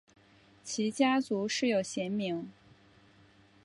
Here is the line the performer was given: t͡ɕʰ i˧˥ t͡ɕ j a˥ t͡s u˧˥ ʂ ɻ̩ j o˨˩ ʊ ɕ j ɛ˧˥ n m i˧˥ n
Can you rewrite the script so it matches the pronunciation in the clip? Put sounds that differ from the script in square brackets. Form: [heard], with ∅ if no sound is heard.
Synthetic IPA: t͡ɕʰ i˧˥ t͡ɕ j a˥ t͡s u˧˥ ʂ ɻ̩ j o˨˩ ʊ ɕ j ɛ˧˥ n m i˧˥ [ŋ]